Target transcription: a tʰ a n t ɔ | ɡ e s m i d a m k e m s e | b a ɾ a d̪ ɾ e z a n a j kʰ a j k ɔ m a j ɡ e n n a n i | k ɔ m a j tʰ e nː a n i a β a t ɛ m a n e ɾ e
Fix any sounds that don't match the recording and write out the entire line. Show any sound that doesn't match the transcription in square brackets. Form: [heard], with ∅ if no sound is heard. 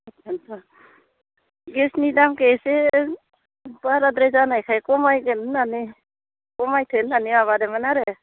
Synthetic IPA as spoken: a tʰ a n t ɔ | ɡ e s [n] i d a m k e [∅] s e | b a ɾ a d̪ ɾ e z a n a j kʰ a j k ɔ m a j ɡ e n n a n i | k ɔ m a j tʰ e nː a n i a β a [d] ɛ m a n [a] ɾ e